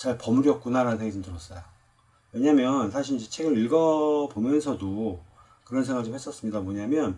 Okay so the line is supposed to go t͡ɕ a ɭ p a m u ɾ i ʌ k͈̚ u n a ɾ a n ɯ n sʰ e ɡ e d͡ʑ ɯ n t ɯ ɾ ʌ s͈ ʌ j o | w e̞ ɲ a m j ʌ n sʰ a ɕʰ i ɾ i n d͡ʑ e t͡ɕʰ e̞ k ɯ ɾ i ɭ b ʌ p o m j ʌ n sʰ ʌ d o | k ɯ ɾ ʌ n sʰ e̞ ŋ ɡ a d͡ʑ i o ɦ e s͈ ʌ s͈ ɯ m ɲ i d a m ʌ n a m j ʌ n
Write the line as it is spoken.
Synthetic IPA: t͡ɕ a ɭ p ʌ m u ɾ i ʌ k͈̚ u n a ɾ a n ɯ n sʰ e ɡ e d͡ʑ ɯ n t ɯ ɾ ʌ s͈ ʌ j o | w e̞ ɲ a m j ʌ n sʰ a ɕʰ i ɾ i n d͡ʑ e t͡ɕʰ e̞ ɡ ɯ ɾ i ɭ ɡ ʌ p o m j ʌ n sʰ ʌ d o | k ɯ ɾ ʌ n sʰ e̞ ŋ ɡ a d͡ʑ i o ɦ e s͈ ʌ s͈ ɯ m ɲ i d a m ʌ ɲ a m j ʌ n